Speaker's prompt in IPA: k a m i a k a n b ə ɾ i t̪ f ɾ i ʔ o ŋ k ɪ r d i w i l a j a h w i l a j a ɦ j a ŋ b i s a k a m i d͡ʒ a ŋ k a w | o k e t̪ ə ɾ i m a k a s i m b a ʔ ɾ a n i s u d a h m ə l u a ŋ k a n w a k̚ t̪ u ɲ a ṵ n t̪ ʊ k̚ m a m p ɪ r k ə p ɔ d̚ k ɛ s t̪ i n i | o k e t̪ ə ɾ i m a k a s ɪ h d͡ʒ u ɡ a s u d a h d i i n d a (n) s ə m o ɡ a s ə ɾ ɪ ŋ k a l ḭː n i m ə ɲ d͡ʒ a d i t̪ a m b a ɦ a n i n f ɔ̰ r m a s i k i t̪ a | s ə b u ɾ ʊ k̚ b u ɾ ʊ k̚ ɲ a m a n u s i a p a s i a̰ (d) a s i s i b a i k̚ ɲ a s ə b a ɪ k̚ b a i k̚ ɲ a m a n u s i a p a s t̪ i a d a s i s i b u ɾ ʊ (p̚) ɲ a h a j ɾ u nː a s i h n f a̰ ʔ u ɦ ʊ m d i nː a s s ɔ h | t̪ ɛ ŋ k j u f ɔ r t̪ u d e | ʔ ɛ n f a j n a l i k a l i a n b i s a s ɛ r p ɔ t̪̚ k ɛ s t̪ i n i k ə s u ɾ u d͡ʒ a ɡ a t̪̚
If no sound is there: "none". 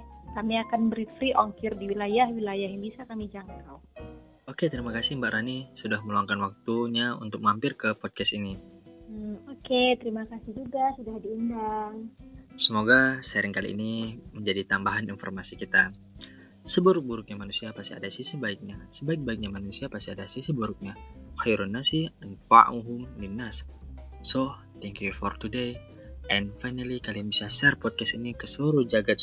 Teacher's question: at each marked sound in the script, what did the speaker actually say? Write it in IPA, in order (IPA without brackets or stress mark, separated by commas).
ŋ, d, k̚